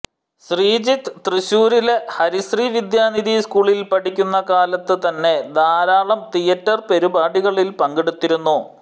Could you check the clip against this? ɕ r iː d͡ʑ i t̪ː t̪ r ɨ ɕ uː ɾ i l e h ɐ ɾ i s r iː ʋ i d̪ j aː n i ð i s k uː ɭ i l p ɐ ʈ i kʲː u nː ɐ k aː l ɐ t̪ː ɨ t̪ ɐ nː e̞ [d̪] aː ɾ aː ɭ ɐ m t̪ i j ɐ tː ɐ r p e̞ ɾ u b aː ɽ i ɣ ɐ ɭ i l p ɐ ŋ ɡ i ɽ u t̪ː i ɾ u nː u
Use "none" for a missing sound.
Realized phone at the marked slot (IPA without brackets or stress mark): d̪